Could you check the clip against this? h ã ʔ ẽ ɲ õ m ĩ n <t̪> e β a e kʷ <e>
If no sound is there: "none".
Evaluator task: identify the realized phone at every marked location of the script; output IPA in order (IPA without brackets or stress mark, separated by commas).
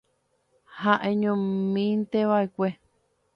t̪, e